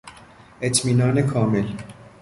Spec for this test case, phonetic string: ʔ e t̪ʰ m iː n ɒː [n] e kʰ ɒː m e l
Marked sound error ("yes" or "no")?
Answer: no